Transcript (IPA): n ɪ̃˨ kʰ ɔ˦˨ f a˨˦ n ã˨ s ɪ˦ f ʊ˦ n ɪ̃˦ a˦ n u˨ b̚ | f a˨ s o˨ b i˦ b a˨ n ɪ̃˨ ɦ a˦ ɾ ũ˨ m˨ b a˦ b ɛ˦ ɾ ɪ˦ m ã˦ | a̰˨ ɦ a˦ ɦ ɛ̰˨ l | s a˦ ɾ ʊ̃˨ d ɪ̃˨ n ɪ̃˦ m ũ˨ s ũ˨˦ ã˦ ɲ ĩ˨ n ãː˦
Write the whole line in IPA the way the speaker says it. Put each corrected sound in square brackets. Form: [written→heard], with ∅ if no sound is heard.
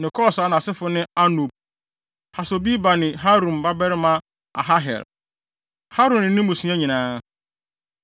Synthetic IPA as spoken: n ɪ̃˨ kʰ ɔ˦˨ [f→s] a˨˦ n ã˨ s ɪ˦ f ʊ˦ n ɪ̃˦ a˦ n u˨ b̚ | [f→h] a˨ s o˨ b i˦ b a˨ n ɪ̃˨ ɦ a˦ ɾ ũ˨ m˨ b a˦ b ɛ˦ ɾ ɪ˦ m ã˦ | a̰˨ ɦ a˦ ɦ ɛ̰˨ l | [s→h] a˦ ɾ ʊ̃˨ [d→n] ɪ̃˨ n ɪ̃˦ m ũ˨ s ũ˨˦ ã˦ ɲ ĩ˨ n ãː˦

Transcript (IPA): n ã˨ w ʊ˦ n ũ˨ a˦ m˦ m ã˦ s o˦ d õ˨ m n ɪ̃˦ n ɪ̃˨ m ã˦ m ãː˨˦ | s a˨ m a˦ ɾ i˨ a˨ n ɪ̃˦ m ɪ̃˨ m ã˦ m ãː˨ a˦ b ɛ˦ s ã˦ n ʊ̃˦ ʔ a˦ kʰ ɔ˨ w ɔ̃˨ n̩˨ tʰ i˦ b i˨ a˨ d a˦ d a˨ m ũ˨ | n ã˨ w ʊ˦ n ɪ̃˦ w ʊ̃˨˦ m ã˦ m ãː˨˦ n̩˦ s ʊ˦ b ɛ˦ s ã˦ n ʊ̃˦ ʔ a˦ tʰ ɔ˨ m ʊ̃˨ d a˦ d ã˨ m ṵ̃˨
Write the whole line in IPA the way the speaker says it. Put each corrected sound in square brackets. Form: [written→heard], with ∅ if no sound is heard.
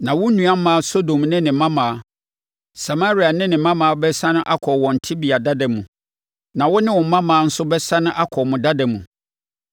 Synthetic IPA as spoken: n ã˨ w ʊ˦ n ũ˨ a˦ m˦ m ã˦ s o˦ d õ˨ m n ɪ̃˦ n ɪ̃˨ m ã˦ m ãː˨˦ | s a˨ m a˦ ɾ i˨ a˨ n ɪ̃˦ [m→n] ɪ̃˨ m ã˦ m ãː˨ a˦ b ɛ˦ s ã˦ n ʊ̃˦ ʔ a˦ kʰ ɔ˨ w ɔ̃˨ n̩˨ tʰ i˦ b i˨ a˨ d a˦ d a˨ m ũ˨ | n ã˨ w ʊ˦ n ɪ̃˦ w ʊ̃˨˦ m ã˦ m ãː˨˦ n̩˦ s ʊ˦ b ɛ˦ s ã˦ n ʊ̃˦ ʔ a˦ [tʰ→kʰ] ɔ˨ m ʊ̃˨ d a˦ d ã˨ m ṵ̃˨

